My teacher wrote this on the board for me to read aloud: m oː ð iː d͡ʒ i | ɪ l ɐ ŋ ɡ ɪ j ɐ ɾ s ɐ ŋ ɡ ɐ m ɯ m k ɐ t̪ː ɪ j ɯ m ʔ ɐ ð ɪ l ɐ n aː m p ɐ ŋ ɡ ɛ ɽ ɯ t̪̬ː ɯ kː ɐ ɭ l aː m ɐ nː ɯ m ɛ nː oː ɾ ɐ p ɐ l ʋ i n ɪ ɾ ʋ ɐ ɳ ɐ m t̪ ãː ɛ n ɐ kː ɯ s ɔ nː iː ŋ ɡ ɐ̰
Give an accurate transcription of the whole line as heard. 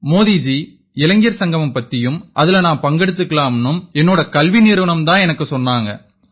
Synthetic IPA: m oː ð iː d͡ʒ i | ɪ l ɐ ŋ ɡ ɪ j ɐ ɾ s ɐ ŋ ɡ ɐ m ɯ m p ɐ t̪ː ɪ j ɯ m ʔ ɐ ð ɪ l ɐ n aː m p ɐ ŋ ɡ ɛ ɽ ɯ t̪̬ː ɯ kː ɐ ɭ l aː m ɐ nː ɯ m ɛ nː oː ɽ ɐ k ɐ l ʋ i n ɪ ɾ ʋ ɐ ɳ ɐ m t̪ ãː ɛ n ɐ kː ɯ s ɔ nː aː ŋ ɡ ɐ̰